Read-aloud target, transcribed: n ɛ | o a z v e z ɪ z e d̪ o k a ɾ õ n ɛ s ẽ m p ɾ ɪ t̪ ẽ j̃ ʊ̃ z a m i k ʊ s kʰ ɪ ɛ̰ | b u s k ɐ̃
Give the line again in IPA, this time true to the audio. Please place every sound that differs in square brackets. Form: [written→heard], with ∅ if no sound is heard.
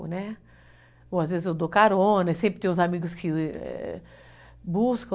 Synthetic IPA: n ɛ | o a z v e z ɪ z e d̪ o k a ɾ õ n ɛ s ẽ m p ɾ ɪ t̪ ẽ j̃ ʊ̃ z a m i [k→ɡ] ʊ s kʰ ɪ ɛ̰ | b u s k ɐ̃